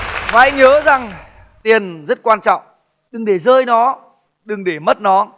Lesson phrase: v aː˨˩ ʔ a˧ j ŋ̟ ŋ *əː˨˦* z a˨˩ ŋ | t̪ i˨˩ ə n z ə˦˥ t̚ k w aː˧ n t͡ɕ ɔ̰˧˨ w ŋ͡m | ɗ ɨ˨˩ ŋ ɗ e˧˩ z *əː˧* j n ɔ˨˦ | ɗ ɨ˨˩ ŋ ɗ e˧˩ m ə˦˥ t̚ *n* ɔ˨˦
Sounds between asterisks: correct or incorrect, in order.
correct, correct, correct

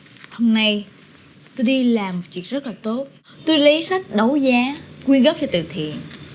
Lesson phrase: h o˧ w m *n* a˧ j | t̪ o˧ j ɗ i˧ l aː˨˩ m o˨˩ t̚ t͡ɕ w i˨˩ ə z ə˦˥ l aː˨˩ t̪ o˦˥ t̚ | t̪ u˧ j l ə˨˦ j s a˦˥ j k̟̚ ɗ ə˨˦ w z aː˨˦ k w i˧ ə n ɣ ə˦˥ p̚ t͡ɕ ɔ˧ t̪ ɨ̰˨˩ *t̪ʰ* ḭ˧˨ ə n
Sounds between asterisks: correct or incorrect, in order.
correct, correct

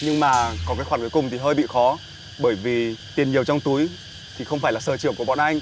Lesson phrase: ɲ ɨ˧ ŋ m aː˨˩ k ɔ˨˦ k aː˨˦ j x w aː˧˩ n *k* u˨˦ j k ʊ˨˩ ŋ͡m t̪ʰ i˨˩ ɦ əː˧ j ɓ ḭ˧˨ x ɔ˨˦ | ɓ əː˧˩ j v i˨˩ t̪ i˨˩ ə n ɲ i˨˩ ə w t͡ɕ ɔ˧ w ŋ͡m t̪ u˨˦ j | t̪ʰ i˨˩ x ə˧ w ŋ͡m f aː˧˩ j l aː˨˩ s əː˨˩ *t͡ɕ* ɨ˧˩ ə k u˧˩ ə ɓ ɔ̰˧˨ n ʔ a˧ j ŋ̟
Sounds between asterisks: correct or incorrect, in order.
correct, correct

